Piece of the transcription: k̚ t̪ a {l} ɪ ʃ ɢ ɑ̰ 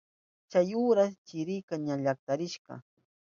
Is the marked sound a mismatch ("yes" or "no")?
yes